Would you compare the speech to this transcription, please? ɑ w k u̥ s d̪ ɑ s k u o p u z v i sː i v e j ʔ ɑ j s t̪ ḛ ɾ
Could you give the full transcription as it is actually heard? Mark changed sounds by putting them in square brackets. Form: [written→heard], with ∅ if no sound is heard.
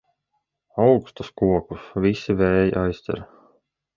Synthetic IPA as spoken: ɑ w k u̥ s [d̪→t̪] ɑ s k u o [p→k] u [z→s] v i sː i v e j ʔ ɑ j s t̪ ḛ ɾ